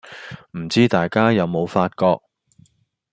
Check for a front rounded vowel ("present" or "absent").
absent